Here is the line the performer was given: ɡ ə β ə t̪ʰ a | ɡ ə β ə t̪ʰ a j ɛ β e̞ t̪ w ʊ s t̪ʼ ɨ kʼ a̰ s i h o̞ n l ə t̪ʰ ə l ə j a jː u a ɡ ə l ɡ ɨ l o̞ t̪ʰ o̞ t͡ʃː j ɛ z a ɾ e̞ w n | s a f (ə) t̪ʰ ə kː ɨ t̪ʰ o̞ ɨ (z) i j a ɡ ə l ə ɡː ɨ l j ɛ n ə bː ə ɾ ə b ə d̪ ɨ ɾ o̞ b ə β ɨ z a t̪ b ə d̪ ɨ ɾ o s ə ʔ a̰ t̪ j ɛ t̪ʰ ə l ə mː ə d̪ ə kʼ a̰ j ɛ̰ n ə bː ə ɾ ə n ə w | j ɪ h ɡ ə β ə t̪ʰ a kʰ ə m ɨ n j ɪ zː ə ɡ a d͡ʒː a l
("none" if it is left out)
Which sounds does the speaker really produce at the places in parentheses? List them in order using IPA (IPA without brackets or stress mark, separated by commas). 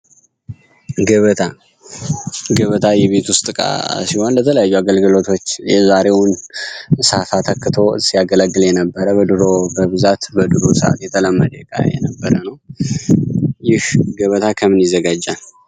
a, s